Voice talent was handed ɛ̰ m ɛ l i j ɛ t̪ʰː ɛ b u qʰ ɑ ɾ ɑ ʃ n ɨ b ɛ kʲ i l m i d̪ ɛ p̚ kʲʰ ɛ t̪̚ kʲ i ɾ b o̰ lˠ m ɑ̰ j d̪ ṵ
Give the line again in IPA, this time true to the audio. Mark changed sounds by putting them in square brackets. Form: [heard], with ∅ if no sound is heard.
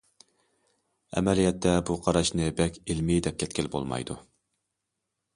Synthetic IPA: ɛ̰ m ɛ l i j ɛ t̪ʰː ɛ b u qʰ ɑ ɾ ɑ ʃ n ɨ b ɛ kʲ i l m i d̪ ɛ p̚ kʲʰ ɛ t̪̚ kʲ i [l] b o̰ lˠ m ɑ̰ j d̪ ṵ